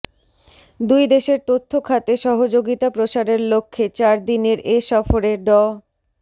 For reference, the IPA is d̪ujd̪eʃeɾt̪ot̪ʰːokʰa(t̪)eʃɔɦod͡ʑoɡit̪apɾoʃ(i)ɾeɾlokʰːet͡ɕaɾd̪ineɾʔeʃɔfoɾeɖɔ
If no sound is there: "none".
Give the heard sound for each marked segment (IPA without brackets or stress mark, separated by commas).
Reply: t̪, a